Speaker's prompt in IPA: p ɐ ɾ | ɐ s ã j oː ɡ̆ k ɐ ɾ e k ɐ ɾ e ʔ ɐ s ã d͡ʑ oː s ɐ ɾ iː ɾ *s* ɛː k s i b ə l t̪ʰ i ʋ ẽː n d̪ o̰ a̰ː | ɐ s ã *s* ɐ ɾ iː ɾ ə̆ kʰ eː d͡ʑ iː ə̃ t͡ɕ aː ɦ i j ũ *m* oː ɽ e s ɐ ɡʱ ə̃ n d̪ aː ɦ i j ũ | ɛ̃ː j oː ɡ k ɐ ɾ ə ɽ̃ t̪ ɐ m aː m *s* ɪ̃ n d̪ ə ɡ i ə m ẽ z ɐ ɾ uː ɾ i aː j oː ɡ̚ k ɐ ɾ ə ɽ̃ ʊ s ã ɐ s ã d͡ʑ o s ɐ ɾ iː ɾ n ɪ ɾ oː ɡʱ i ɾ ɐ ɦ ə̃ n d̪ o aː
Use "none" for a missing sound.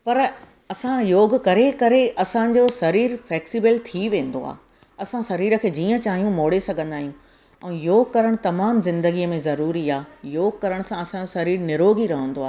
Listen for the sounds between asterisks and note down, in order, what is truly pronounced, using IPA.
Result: f, s, m, z

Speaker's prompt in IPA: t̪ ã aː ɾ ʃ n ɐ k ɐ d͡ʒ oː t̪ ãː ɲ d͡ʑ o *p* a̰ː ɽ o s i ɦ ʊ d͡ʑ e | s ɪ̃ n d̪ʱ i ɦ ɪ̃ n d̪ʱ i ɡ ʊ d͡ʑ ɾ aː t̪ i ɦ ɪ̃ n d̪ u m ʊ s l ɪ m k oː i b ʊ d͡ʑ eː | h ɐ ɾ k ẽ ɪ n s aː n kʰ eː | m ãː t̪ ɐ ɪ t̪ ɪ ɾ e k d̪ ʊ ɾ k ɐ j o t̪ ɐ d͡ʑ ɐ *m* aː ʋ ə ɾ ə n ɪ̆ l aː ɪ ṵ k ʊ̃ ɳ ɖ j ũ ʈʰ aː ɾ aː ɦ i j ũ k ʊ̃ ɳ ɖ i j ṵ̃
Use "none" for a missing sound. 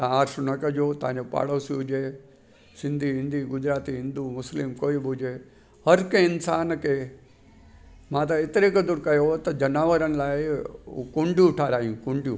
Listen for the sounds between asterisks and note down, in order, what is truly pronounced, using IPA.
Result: p, n

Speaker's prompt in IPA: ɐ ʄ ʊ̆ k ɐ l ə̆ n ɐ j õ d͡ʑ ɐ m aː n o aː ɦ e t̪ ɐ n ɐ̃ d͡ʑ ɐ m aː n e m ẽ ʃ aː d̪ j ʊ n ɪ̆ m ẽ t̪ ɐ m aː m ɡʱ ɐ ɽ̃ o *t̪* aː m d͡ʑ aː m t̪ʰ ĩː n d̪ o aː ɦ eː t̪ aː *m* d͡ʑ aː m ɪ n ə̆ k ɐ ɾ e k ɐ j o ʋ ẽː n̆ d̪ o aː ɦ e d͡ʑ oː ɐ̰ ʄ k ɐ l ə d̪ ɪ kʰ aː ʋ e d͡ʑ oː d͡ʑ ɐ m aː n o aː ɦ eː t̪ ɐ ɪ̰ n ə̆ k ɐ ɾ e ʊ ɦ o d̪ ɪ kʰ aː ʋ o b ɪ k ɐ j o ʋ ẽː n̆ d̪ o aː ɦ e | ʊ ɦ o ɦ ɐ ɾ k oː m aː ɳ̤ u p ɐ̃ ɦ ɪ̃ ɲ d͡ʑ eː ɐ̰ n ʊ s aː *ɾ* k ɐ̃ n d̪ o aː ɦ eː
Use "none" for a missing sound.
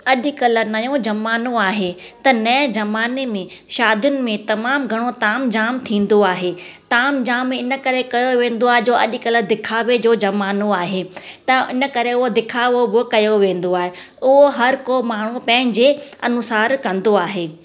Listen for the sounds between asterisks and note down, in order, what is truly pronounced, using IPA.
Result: t̪, m, ɾ

